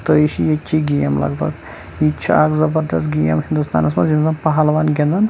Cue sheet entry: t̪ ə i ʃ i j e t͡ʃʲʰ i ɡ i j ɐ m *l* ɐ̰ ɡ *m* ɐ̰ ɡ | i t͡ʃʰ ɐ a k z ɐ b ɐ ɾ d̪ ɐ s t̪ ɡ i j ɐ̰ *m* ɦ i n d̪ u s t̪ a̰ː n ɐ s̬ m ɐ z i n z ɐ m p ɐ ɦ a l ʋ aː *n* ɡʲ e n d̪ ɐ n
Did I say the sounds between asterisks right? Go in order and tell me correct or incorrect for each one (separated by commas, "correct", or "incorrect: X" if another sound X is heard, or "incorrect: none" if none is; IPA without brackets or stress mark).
correct, incorrect: b, correct, correct